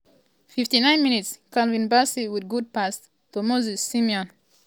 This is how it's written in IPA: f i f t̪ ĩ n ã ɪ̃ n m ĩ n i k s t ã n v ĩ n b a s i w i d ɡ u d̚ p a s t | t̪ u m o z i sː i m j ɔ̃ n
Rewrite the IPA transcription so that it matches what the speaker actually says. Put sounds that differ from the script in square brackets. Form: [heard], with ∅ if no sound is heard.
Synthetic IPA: f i f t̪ [i] n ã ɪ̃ n m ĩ n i [t] s [k] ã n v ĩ n b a s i w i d ɡ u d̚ p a s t | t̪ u m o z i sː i m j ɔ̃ n